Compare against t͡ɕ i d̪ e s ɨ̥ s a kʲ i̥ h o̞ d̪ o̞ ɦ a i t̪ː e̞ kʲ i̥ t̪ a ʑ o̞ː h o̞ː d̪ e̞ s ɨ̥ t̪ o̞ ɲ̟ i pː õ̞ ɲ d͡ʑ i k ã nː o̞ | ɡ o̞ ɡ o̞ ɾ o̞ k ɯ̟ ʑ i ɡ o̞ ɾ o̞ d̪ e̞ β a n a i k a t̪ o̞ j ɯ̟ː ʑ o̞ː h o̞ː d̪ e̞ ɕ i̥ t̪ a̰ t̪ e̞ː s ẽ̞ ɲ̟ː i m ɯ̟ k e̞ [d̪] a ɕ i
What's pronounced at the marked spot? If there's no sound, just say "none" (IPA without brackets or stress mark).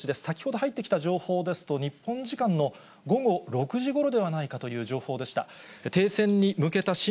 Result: t̪